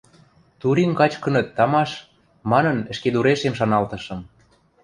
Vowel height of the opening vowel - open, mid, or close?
close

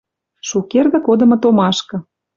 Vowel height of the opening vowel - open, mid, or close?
close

